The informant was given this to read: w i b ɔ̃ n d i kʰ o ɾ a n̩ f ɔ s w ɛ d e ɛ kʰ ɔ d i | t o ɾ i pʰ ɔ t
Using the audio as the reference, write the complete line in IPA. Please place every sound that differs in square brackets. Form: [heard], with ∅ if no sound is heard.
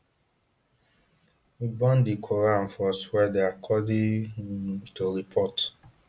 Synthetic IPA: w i b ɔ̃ n d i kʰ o ɾ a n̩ f ɔ s w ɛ d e [a] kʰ ɔ d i | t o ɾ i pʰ ɔ t